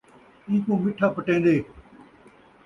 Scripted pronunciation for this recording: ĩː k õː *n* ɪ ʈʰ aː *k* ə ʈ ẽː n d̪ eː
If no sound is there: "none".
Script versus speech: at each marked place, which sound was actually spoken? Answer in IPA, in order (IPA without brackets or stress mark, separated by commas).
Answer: m, p